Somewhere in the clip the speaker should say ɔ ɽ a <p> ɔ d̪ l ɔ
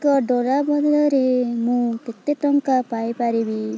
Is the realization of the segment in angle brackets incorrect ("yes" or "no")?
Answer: yes